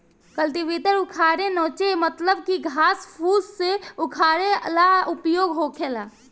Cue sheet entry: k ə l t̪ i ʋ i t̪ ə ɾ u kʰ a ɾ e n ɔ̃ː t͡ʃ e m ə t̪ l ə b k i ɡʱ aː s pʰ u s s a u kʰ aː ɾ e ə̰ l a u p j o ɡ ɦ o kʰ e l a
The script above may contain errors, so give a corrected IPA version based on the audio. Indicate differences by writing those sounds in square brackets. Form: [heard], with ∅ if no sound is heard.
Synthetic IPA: k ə l t̪ i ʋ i t̪ ə ɾ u kʰ a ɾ e n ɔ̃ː t͡ʃ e m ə t̪ l ə b k i ɡʱ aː s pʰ u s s [e] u kʰ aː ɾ e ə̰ l a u p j o ɡ ɦ o kʰ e l a